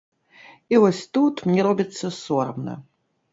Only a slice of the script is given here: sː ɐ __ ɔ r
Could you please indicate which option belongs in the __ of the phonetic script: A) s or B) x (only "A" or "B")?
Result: A